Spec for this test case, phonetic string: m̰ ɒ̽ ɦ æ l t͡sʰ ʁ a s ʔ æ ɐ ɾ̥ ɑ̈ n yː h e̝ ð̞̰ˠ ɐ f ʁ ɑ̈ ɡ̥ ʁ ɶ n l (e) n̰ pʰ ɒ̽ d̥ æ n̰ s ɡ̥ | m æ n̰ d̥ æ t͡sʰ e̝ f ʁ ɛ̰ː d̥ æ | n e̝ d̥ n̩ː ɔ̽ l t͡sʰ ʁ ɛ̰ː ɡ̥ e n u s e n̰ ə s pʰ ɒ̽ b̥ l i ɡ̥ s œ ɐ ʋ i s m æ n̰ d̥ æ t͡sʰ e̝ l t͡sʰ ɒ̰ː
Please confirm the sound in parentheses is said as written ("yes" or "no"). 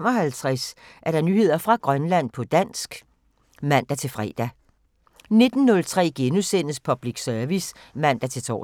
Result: no